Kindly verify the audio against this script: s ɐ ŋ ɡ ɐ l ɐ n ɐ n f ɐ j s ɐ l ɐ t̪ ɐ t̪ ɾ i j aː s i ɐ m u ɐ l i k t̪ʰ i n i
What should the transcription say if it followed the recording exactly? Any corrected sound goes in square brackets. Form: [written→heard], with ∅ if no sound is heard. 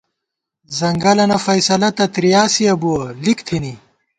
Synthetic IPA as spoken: [s→z] ɐ ŋ ɡ ɐ l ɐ n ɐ [n→∅] f ɐ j s ɐ l ɐ t̪ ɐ t̪ ɾ i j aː s i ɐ [m→b] u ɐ l i k t̪ʰ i n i